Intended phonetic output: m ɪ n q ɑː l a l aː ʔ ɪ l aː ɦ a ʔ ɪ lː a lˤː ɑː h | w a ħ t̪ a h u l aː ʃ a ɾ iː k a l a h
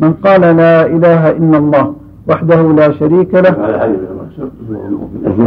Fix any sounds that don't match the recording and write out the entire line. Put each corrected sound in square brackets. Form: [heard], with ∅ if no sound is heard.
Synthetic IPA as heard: m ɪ n q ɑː l a l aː ʔ ɪ l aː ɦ a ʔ ɪ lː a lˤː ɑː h | w a ħ [d̪] a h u l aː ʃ a ɾ iː k a l a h